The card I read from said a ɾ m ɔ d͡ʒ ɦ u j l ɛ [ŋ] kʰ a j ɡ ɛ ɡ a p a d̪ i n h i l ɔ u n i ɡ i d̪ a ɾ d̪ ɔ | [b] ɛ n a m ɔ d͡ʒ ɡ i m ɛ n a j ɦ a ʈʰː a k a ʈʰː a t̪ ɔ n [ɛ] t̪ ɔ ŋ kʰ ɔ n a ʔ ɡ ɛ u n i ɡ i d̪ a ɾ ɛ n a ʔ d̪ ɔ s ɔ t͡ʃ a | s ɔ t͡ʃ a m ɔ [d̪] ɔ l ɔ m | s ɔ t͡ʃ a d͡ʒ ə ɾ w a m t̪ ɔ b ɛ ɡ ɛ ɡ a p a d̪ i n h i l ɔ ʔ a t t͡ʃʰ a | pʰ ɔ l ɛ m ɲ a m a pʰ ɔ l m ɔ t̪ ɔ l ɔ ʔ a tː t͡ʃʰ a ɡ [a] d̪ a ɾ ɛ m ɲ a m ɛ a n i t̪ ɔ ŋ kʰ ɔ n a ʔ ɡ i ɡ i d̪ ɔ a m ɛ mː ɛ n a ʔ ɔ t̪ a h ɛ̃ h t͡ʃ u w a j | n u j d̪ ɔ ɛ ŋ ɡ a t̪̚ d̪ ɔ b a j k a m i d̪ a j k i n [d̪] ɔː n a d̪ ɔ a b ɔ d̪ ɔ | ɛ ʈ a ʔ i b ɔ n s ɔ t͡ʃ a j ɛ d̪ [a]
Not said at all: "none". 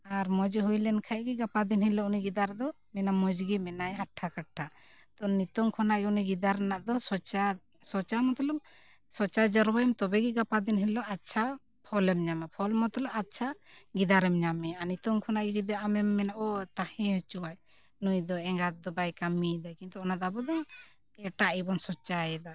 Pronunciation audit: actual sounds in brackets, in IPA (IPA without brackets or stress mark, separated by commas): n, m, i, t̪, i, t̪, a